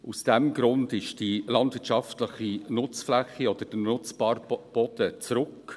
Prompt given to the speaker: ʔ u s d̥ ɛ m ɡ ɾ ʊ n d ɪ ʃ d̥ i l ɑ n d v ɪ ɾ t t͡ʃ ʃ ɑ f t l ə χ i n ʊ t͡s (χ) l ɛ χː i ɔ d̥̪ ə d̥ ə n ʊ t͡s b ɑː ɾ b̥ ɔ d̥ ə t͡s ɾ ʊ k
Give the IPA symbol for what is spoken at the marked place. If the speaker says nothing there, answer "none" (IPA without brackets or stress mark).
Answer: f